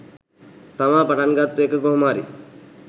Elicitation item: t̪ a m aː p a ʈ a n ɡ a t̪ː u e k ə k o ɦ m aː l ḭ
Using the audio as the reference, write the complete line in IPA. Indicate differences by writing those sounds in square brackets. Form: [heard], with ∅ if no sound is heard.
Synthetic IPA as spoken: t̪ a m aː p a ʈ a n ɡ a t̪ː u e k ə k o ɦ m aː [ɾ] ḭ